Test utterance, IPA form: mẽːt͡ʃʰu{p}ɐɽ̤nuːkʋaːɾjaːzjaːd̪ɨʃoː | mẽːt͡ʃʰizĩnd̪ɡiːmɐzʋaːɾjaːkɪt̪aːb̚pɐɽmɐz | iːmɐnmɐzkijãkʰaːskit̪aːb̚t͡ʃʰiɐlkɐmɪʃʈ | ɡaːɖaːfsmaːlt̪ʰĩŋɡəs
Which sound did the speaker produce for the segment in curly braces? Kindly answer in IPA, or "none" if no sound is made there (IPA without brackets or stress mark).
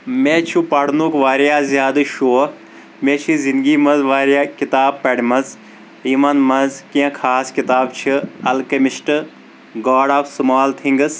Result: p